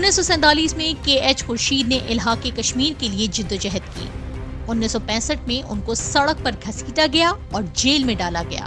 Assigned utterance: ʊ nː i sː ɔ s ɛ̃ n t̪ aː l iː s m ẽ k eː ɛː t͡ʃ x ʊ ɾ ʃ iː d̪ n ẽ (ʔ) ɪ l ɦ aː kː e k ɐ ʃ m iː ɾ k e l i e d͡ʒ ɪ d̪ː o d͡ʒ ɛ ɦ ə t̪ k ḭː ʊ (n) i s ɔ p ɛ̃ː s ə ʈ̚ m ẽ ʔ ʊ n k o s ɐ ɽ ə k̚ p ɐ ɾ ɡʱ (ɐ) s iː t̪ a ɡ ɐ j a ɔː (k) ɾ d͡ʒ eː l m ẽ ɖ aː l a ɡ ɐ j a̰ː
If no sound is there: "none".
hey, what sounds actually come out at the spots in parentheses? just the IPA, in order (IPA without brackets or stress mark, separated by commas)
ʔ, nː, ɐ, none